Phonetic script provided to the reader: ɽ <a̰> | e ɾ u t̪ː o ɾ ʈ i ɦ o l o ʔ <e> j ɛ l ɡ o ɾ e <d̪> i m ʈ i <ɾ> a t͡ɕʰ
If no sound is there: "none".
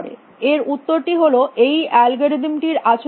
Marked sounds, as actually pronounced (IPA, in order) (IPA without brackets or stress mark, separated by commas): ḛ, e, d̪, ɾ